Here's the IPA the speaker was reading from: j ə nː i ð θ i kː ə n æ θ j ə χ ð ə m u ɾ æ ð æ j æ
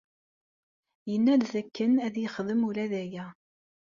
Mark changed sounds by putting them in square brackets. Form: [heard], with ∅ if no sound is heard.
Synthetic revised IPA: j ə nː [æ] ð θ [æ] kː ə n æ [ð] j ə χ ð ə m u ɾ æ ð æ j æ